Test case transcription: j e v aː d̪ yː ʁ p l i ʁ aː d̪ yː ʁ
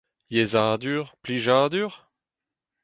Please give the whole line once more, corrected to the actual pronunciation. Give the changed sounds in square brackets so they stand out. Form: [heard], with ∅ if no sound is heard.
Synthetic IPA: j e [z] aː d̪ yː ʁ p l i [ʒ] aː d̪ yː ʁ